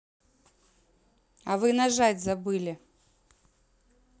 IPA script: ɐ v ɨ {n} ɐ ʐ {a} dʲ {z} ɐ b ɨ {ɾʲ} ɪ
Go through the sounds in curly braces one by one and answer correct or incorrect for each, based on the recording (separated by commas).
correct, correct, correct, incorrect